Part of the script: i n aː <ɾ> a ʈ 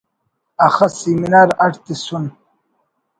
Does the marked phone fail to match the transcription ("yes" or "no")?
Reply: no